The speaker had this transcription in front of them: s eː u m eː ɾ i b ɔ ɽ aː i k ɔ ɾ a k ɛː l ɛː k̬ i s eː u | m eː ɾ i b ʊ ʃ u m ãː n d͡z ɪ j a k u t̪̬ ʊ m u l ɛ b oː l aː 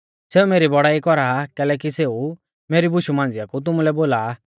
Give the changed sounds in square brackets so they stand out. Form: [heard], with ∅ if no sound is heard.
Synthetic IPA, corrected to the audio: s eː u m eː ɾ i b ɔ ɽ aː i k ɔ ɾ a k ɛː l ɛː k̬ i s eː u | m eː ɾ i b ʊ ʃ u m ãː n d͡z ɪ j a k u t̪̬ ʊ m u l ɛ b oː l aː

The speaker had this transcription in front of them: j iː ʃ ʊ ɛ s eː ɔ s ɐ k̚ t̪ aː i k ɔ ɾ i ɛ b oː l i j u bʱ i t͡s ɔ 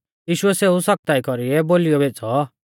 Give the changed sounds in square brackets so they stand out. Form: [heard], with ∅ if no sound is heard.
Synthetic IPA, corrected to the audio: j iː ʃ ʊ ɛ s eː [u] s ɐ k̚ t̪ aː i k ɔ ɾ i ɛ b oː l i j [ɔ] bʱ [e] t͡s ɔ

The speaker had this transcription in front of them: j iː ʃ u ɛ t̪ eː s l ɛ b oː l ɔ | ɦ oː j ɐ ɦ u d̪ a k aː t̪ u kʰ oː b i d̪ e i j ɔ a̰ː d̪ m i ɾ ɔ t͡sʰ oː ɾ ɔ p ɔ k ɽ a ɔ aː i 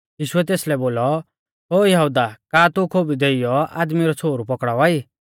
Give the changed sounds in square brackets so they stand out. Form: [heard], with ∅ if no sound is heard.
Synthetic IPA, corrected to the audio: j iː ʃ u ɛ t̪ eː s l ɛ b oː l ɔ | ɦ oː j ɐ ɦ u d̪ a k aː t̪ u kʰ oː b i d̪ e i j ɔ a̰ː d̪ m i ɾ ɔ t͡sʰ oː ɾ [u] p ɔ k ɽ a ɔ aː i

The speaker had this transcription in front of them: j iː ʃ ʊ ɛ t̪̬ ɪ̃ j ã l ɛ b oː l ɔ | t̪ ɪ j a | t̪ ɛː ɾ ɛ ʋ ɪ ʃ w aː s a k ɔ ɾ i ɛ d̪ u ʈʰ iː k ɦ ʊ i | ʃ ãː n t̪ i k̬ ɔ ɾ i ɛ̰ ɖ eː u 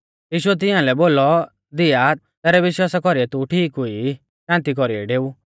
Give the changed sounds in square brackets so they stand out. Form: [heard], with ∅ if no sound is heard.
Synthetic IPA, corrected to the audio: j iː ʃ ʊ ɛ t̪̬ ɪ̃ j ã l ɛ b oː l ɔ | [d̪] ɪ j a | t̪ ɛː ɾ ɛ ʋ ɪ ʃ w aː s a k ɔ ɾ i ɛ [t̪] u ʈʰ iː k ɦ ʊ i | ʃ ãː n t̪ i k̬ ɔ ɾ i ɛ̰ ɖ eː u

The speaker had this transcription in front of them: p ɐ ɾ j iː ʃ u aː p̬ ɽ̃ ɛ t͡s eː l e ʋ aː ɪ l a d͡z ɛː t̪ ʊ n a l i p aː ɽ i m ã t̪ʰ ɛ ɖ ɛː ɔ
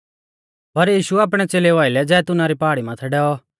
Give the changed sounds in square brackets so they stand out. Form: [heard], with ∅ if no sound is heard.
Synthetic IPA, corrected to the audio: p ɐ ɾ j iː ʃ u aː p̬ ɽ̃ ɛ t͡s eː l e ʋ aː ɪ l [ɛ] d͡z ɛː t̪ ʊ n a [ɾ] i p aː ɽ i m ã t̪ʰ ɛ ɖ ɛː ɔ

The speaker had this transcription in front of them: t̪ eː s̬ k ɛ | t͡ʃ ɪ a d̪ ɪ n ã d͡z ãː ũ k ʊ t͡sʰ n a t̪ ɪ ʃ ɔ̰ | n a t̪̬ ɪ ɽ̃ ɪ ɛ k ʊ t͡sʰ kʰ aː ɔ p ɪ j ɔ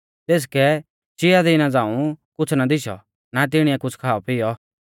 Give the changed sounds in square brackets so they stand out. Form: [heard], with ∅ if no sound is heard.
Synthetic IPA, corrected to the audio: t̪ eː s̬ k ɛ | t͡ʃ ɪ a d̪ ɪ n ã d͡z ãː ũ k ʊ t͡sʰ n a [d̪] ɪ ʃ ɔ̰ | n a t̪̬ ɪ ɽ̃ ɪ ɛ k ʊ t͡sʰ kʰ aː ɔ p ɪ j ɔ

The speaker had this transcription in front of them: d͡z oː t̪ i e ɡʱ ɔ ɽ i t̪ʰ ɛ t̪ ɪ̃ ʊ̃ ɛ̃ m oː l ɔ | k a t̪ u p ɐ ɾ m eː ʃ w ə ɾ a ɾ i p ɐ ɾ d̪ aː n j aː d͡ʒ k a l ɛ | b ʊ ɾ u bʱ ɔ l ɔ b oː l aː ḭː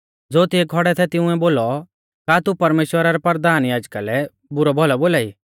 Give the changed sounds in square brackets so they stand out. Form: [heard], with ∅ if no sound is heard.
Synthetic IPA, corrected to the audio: d͡z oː t̪ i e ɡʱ ɔ ɽ [ɛ] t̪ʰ ɛ t̪ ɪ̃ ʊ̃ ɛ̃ [b] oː l ɔ | k a t̪ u p ɐ ɾ m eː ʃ w ə ɾ a ɾ [ɛ] p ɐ ɾ d̪ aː n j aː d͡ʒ k a l ɛ | b ʊ ɾ [ɔ] bʱ ɔ l ɔ b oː l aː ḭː

